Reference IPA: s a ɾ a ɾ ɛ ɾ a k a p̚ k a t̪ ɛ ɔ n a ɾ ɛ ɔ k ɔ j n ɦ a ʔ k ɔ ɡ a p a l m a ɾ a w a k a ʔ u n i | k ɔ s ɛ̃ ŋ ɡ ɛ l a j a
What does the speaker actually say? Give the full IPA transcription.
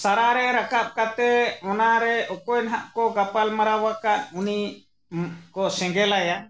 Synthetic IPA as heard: s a ɾ a ɾ ɛ ɾ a k a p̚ k a t̪ ɛ ɔ n a ɾ ɛ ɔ k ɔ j n ɦ a ʔ k ɔ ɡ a p a l m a ɾ a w a k a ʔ u n i | k ɔ s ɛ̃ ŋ ɡ ɛ l a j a